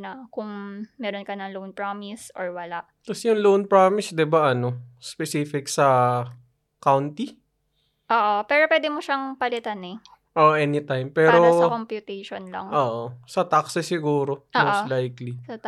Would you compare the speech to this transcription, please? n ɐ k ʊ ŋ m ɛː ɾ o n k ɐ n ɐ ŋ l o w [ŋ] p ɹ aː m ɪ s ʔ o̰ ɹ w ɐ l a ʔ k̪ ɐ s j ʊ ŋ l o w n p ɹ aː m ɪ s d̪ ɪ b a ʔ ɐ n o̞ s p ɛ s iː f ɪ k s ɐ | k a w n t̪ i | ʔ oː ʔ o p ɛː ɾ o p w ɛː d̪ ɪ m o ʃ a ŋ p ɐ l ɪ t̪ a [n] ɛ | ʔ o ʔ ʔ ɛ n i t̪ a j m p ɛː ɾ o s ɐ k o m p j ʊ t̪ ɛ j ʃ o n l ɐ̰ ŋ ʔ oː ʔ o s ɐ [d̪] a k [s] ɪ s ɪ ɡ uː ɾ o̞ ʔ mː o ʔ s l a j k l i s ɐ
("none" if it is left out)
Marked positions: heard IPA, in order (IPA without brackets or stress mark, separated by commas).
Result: n, n, t̪, s